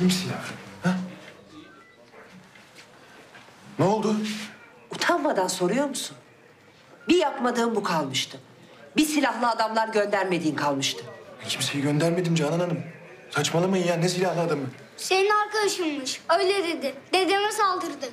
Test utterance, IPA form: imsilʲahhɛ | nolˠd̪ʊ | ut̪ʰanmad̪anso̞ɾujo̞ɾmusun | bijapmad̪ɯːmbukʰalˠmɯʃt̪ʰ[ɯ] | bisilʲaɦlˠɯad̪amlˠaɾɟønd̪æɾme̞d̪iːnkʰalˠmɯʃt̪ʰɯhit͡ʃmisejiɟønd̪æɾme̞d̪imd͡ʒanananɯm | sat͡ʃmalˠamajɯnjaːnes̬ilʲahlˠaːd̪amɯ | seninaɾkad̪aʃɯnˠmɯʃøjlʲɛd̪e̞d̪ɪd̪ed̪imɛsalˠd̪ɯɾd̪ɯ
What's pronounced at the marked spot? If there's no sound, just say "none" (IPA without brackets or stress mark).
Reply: ɯ